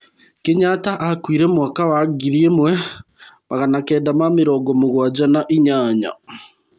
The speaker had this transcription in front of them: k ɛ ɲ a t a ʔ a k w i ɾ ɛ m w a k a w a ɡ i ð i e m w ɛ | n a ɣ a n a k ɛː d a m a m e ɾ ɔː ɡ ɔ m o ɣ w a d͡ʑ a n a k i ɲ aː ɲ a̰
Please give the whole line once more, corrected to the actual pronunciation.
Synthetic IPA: k e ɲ a t a ʔ a k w i ɾ ɛ m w a k a w a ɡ i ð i e m w ɛ | m a ɣ a n a k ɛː d a m a m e ɾ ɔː ɡ ɔ m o ɣ w a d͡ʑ a n a ʔ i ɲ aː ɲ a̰